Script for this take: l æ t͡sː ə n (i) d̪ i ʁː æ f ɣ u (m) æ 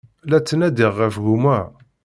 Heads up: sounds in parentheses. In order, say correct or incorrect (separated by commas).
incorrect, correct